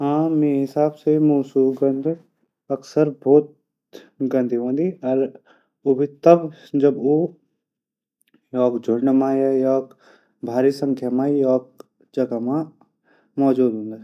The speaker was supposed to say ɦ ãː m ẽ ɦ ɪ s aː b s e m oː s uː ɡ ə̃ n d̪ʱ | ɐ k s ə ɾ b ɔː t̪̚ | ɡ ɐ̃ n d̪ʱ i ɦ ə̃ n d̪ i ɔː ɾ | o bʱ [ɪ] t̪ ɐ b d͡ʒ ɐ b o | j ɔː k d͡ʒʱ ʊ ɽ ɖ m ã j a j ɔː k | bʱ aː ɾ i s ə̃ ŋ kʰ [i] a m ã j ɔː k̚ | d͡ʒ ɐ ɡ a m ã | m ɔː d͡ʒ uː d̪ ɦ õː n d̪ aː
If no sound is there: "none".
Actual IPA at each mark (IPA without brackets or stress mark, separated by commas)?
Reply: i, j